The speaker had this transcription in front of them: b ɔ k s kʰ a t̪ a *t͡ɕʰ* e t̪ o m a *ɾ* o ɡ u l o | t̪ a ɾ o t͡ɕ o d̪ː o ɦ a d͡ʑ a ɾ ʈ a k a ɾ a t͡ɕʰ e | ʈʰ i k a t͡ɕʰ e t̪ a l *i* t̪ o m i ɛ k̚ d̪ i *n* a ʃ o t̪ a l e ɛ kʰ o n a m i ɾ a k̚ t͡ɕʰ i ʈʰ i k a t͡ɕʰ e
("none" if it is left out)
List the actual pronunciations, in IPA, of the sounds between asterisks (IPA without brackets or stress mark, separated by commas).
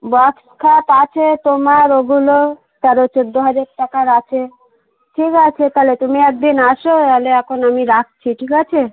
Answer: t͡ɕʰ, ɾ, e, n